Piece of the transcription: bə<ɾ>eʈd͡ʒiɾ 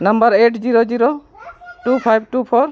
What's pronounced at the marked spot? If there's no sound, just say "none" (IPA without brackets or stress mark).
ɾ